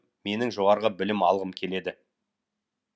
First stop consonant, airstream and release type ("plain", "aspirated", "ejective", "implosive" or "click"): plain